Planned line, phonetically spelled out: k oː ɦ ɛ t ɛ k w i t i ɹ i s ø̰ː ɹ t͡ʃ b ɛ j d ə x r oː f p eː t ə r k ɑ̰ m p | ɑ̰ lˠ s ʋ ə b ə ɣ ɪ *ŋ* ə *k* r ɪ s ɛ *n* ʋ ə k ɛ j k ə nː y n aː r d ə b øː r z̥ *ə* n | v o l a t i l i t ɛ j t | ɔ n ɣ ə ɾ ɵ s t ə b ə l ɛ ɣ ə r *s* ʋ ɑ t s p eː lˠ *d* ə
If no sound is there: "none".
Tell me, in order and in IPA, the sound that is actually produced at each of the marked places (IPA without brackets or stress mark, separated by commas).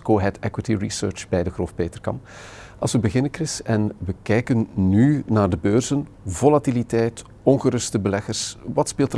n, k, n, ə, s, t